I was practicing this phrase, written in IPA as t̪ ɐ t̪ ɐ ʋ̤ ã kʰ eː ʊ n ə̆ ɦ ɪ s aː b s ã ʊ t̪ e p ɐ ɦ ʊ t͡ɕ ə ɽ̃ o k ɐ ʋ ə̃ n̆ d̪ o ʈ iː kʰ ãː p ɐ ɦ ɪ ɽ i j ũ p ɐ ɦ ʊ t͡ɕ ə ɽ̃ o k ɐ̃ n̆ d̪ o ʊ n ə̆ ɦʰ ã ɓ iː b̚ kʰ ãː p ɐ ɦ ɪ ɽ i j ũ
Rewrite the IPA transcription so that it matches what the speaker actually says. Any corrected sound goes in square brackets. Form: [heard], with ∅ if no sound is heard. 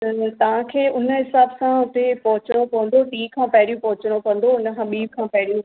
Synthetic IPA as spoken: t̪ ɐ t̪ ɐ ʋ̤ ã kʰ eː ʊ n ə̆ ɦ ɪ s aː b s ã ʊ t̪ e p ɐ ɦ ʊ t͡ɕ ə ɽ̃ o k ɐ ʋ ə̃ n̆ d̪ o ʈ iː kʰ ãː p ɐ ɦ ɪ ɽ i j ũ p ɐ ɦ ʊ t͡ɕ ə ɽ̃ o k ɐ̃ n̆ d̪ o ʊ n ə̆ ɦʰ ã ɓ iː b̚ kʰ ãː p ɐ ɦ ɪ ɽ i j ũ